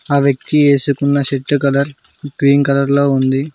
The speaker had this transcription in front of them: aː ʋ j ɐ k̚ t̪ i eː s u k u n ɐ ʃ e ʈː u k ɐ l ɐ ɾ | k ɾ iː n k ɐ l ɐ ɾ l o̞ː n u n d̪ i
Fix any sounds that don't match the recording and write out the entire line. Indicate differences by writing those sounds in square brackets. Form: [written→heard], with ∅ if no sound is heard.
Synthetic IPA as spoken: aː ʋ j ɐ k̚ t̪ i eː s u k u [n→nː] ɐ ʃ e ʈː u k ɐ l ɐ ɾ | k ɾ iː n k ɐ l ɐ ɾ l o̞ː [n→∅] u n d̪ i

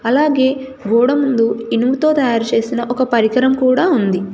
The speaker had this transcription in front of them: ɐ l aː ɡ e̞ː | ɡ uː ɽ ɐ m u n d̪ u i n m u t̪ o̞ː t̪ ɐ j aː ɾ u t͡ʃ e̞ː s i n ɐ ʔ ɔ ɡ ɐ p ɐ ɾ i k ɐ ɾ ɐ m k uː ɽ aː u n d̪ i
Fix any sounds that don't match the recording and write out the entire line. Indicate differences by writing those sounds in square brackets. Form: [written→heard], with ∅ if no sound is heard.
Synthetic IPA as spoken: ɐ l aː ɡ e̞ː | ɡ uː ɽ ɐ m u n d̪ u i n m u t̪ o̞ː t̪ ɐ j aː ɾ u t͡ʃ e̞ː s i n ɐ ʔ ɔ [ɡ→k] ɐ p ɐ ɾ i k ɐ ɾ ɐ m k uː ɽ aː u n d̪ i

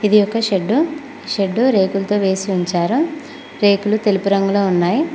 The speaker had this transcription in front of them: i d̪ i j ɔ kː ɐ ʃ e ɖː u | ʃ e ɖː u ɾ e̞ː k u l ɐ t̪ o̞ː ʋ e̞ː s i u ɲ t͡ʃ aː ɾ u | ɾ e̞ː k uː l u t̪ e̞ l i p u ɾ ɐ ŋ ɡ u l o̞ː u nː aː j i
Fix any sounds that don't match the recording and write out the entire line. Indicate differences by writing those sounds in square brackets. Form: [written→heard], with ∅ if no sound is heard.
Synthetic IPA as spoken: i d̪ i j ɔ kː ɐ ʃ e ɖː u | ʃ e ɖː u ɾ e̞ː k u l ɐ t̪ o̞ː ʋ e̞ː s i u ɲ t͡ʃ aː ɾ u | ɾ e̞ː k [uː→u] l u t̪ e̞ l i p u ɾ ɐ ŋ ɡ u l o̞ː u nː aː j i

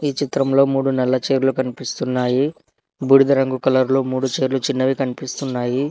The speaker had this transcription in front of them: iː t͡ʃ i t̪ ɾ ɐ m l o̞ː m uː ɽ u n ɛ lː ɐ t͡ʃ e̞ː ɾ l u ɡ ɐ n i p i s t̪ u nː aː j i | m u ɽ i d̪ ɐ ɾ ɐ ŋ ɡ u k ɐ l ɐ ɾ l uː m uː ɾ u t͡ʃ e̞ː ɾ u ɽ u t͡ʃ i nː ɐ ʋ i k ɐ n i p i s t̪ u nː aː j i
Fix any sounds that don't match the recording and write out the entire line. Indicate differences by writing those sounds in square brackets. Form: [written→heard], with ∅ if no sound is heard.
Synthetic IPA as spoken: iː t͡ʃ i t̪ ɾ ɐ m l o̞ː m uː ɽ u n ɛ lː ɐ t͡ʃ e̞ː ɾ l u [ɡ→k] ɐ n i p i s t̪ u nː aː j i | [m→b] u ɽ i d̪ ɐ ɾ ɐ ŋ ɡ u k ɐ l ɐ ɾ l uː m uː [ɾ→ɽ] u t͡ʃ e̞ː ɾ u [ɽ→l] u t͡ʃ i nː ɐ ʋ i k ɐ n i p i s t̪ u nː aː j i

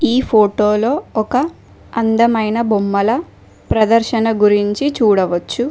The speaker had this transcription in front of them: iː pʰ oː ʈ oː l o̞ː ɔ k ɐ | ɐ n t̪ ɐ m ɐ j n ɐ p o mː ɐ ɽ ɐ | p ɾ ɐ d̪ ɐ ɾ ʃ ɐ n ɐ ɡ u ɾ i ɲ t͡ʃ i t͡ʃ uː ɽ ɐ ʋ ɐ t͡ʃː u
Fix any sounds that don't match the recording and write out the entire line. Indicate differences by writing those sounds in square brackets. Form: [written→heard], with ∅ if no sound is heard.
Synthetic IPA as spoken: iː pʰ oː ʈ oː l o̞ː ɔ k ɐ | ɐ n [t̪→d̪] ɐ m ɐ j n ɐ [p→b] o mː ɐ [ɽ→l] ɐ | p ɾ ɐ d̪ ɐ ɾ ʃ ɐ n ɐ ɡ u ɾ i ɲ t͡ʃ i t͡ʃ uː ɽ ɐ ʋ ɐ t͡ʃː u

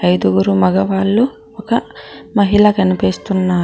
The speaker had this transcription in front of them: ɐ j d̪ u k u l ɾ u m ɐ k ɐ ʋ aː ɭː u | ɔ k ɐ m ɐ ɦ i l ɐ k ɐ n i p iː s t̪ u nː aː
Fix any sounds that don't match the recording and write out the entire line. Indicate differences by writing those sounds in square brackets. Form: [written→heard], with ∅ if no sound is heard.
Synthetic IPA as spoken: ɐ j d̪ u [k→ɡ] u [l→∅] ɾ u m ɐ [k→ɡ] ɐ ʋ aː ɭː u | ɔ k ɐ m ɐ ɦ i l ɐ k ɐ n i p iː s t̪ u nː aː

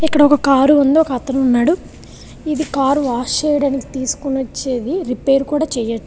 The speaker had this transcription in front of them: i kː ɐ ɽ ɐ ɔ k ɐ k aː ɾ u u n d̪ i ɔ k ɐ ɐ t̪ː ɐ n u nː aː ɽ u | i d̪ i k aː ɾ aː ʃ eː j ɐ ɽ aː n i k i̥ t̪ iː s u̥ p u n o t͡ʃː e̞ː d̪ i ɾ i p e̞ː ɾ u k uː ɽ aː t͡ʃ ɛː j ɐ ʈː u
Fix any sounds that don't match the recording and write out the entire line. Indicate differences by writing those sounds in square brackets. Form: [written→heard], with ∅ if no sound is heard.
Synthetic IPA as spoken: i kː ɐ ɽ ɐ ɔ k ɐ k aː ɾ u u n d̪ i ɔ k ɐ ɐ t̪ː ɐ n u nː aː ɽ u | i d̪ i k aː ɾ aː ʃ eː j ɐ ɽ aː n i k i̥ t̪ iː s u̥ [p→k] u n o t͡ʃː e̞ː d̪ i ɾ i p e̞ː ɾ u k uː ɽ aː t͡ʃ ɛː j ɐ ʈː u

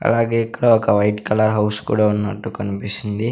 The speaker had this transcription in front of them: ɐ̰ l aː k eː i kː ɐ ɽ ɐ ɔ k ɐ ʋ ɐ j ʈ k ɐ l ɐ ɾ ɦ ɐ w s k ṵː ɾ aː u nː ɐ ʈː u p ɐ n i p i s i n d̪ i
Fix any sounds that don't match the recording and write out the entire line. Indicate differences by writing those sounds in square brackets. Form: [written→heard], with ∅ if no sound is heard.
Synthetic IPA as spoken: ɐ̰ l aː [k→ɡ] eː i kː ɐ ɽ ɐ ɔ k ɐ ʋ ɐ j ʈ k ɐ l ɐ ɾ ɦ ɐ w s k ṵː [ɾ→ɽ] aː u nː ɐ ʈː u [p→k] ɐ n i p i s i n d̪ i

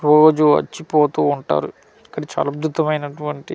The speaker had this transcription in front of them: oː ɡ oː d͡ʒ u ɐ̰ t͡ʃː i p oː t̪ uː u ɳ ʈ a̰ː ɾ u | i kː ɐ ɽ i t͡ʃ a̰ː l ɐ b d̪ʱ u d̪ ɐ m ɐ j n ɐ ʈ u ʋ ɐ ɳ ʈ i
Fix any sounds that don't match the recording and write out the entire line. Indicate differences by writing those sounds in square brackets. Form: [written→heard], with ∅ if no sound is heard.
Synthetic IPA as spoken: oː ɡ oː d͡ʒ u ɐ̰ t͡ʃː i p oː t̪ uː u ɳ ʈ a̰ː ɾ u | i kː ɐ ɽ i t͡ʃ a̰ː l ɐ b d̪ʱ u [d̪→t̪] ɐ m ɐ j n ɐ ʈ u ʋ ɐ ɳ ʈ i

